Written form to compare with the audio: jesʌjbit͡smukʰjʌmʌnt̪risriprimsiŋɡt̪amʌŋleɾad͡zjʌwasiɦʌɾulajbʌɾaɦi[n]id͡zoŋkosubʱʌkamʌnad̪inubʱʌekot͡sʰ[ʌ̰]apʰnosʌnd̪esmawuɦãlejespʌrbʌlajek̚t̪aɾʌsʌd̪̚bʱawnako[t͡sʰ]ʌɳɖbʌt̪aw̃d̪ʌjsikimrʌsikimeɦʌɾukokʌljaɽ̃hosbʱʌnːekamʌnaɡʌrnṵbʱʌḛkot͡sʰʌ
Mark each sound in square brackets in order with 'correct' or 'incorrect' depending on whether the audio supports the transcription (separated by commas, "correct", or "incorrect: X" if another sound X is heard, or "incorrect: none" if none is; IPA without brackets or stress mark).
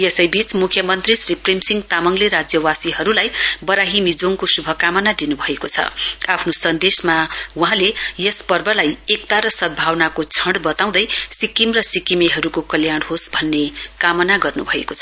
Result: incorrect: m, correct, correct